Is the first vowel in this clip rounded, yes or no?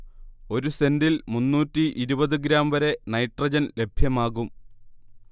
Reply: yes